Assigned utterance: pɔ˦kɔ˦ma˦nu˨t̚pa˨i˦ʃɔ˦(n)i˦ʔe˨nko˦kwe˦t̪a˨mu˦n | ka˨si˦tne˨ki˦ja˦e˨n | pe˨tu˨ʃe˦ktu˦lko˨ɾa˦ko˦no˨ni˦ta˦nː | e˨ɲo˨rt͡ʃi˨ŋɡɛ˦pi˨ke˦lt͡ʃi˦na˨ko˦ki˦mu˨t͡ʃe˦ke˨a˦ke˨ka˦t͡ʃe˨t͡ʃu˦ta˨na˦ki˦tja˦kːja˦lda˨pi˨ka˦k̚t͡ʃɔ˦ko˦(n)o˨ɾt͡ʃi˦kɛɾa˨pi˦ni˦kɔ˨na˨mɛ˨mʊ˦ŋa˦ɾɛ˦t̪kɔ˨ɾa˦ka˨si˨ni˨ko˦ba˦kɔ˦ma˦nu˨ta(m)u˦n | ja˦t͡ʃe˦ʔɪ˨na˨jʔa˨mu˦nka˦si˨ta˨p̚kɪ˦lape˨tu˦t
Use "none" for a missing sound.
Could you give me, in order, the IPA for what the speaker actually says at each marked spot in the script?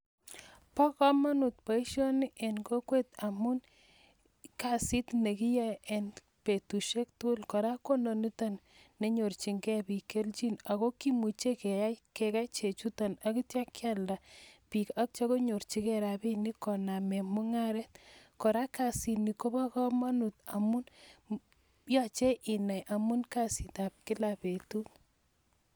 n, ɲ, m

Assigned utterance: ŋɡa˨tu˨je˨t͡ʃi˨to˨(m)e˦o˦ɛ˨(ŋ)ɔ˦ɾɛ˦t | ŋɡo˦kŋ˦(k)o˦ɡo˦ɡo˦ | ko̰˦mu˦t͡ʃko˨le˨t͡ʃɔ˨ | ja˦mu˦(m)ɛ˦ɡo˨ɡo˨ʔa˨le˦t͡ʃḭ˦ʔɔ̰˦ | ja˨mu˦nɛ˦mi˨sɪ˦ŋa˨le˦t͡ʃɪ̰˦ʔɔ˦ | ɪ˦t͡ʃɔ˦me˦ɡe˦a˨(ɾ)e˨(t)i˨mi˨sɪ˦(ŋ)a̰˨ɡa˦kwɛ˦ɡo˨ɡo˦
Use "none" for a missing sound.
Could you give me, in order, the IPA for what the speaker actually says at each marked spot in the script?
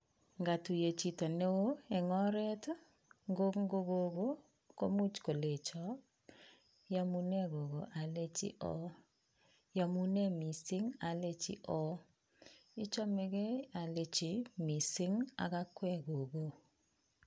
n, ŋ, ɡ, n, l, t͡ʃ, ŋ

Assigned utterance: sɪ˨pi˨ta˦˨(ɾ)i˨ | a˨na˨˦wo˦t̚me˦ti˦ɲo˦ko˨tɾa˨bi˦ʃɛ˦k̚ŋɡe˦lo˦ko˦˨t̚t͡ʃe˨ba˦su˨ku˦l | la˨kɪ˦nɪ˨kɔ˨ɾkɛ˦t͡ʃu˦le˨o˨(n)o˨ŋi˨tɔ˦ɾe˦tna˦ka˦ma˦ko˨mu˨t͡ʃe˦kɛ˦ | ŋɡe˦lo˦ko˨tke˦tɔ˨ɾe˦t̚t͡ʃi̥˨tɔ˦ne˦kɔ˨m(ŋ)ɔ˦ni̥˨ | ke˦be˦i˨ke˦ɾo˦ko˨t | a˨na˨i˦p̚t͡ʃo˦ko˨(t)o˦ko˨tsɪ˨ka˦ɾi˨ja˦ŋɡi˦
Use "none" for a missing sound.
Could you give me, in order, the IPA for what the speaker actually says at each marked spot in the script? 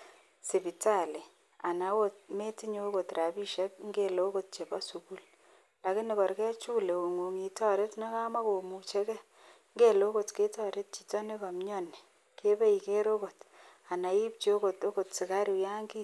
l, ŋ, ɲ, t

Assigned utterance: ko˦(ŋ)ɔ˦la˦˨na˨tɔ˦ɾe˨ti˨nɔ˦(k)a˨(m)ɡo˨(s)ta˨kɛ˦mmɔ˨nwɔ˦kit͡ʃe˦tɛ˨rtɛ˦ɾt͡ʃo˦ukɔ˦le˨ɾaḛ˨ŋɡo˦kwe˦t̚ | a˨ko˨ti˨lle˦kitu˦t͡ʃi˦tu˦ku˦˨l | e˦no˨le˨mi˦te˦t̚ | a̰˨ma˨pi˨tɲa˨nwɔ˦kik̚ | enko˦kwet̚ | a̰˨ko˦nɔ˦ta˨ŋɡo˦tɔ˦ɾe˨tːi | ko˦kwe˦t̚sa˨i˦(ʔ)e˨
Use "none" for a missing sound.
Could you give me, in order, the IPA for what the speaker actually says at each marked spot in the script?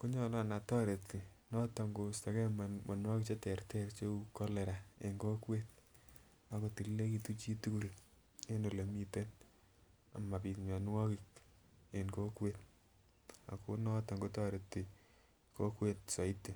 ɲ, t, ŋ, s, t

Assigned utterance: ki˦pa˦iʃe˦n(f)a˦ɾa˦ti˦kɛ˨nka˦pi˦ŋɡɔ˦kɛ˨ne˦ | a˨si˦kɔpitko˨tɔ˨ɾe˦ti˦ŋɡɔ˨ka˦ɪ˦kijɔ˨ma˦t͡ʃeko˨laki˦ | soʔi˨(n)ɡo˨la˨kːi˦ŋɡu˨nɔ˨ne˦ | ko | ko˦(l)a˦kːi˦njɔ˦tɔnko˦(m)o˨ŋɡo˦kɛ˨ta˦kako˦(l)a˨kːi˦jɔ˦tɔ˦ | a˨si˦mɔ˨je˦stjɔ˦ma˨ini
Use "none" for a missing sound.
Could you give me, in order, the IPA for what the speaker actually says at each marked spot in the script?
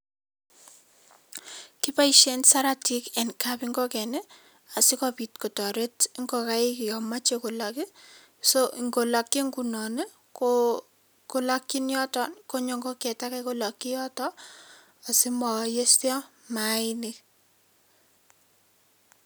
s, ŋ, l, ɲ, l

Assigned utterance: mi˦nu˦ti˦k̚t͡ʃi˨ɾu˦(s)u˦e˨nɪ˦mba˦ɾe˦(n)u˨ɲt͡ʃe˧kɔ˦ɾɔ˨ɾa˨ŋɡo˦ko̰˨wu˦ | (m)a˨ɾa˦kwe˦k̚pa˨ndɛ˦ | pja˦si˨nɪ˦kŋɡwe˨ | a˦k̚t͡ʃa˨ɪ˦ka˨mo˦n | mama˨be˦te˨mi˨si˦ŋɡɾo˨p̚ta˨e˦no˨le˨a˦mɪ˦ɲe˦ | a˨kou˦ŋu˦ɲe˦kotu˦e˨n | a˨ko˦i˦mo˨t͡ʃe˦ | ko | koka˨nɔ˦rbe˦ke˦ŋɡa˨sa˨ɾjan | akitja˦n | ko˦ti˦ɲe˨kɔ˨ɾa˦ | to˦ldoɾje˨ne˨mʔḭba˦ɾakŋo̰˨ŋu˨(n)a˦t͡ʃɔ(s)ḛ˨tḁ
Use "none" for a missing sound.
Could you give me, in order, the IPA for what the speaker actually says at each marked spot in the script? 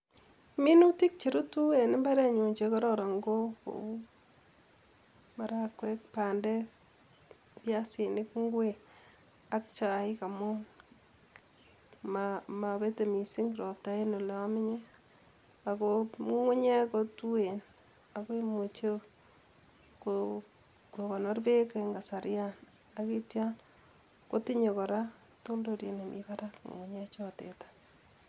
t, ɲ, m, ɲ, t

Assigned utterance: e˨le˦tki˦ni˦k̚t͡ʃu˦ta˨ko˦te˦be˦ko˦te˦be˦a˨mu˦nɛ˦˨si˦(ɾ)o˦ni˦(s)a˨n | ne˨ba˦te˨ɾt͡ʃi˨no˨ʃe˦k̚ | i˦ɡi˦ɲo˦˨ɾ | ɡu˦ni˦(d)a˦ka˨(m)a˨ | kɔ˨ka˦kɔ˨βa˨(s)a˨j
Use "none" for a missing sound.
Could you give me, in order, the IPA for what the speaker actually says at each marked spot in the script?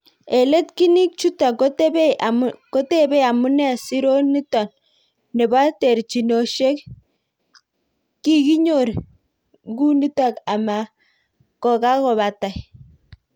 ɾ, t, t, m, t

